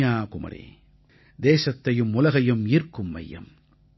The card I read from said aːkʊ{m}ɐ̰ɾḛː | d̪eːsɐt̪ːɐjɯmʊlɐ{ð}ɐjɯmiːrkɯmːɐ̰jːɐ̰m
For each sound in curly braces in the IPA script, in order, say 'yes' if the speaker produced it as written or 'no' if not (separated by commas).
yes, no